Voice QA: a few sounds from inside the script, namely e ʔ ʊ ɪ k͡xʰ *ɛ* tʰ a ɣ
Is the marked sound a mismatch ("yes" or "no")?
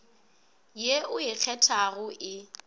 no